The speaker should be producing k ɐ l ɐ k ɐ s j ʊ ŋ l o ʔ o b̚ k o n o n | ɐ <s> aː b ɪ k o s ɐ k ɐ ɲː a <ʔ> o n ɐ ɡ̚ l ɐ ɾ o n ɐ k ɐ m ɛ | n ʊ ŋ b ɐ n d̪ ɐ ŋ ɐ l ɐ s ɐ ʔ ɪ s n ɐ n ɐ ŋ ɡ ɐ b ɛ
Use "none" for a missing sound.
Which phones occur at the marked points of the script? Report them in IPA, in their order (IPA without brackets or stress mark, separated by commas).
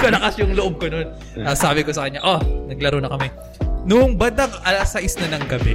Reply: s, ʔ